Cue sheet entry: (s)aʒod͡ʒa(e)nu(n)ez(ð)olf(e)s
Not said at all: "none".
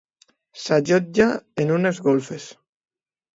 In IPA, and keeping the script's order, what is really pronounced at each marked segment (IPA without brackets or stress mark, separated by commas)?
s, e, n, ɣ, e